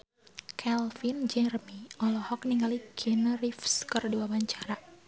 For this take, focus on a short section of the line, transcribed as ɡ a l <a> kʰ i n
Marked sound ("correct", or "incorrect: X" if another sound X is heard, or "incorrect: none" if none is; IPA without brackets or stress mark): incorrect: i